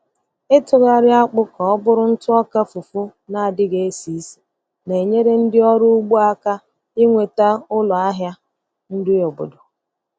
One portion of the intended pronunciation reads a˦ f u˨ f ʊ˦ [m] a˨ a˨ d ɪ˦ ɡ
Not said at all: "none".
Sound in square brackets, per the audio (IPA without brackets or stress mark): n